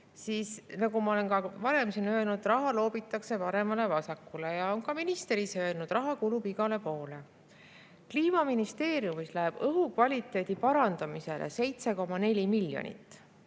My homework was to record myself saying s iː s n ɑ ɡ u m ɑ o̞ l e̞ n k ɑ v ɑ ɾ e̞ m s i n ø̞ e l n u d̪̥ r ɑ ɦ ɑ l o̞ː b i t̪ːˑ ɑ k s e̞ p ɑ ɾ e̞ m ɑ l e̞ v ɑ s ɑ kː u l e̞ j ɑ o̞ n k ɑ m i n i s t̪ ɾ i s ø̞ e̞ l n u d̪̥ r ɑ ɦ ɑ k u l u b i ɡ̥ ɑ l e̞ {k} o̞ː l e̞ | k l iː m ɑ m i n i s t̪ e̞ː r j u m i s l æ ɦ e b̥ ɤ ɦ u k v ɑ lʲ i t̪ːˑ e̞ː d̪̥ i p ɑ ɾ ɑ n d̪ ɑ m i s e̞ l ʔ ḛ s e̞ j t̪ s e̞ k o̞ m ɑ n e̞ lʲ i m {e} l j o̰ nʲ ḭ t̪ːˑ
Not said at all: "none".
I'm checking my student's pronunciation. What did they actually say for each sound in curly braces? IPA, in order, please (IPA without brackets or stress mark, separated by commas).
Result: p, i